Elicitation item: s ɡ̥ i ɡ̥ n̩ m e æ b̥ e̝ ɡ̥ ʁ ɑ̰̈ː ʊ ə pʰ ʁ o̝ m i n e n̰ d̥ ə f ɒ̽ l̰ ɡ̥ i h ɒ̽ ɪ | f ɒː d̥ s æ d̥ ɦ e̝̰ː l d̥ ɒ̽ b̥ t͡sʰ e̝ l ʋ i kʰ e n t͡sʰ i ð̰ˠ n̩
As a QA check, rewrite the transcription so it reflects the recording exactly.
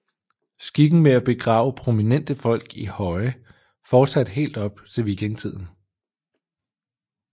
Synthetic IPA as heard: s ɡ̥ i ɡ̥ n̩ m e æ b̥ e̝ ɡ̥ ʁ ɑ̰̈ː ʊ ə pʰ ʁ o̝ m i n e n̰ d̥ ə f ɒ̽ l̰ ɡ̥ i h ɒ̽ ɪ | f ɒː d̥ s æ d̥ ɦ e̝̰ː l d̥ ɒ̽ b̥ t͡sʰ e̝ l ʋ i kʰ e n t͡sʰ i ð̰ˠ n̩

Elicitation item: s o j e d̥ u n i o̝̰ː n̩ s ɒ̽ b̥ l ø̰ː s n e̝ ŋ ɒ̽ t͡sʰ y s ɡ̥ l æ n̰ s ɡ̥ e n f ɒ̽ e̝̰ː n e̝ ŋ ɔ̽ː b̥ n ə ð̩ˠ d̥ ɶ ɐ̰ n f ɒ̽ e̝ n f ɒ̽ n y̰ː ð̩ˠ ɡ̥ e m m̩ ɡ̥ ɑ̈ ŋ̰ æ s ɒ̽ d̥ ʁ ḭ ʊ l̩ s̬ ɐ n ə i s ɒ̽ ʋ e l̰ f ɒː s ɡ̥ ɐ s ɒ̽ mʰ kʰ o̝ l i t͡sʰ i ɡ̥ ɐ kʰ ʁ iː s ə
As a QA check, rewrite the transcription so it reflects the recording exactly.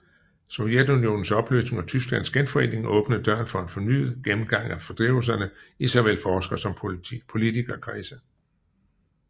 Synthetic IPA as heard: s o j e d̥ u n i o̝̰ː n̩ s ɒ̽ b̥ l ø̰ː s n e̝ ŋ ɒ̽ t͡sʰ y s ɡ̥ l æ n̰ s ɡ̥ e n f ɒ̽ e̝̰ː n e̝ ŋ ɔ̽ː b̥ n ə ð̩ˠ d̥ ɶ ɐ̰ n f ɒ̽ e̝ n f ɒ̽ n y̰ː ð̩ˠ ɡ̥ e m m̩ ɡ̥ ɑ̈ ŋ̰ æ f ɒ̽ d̥ ʁ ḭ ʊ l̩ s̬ ɐ n ə i s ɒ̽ ʋ e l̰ f ɒː s ɡ̥ ɐ s ɒ̽ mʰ pʰ o̝ l i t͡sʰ i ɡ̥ ɐ kʰ ʁ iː s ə

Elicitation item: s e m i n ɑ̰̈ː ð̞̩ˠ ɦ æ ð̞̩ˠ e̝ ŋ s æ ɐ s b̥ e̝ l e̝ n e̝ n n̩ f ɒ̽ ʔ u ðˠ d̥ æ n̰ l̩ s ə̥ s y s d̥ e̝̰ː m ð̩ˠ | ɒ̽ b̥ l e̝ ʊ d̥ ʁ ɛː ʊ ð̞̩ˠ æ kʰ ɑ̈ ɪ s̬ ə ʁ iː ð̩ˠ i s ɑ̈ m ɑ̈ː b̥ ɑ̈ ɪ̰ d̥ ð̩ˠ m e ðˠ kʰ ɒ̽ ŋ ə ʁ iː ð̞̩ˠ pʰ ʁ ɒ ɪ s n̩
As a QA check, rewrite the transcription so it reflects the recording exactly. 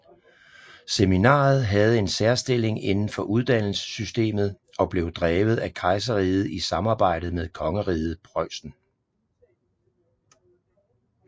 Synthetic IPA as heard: s e m i n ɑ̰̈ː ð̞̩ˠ ɦ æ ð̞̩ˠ e̝ n s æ ɐ s d̥ e̝ l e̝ ŋ e̝ n n̩ f ɒ̽ ʔ u ðˠ d̥ æ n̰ l̩ s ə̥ s y s d̥ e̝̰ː m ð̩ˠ | ɒ̽ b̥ l e̝ ʊ d̥ ʁ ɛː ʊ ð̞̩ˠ æ kʰ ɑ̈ ɪ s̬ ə ʁ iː ð̩ˠ i s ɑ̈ m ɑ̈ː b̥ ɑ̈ ɪ̰ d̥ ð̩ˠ m e ðˠ kʰ ɒ̽ ŋ ə ʁ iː ð̞̩ˠ pʰ ʁ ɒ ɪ s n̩

